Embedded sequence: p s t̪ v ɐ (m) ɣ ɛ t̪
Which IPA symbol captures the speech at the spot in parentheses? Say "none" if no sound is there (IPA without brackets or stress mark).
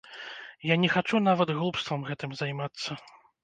m